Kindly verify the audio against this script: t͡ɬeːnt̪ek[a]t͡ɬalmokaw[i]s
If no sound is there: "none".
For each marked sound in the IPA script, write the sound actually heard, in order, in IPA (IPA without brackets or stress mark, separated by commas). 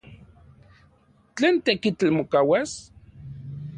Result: i, a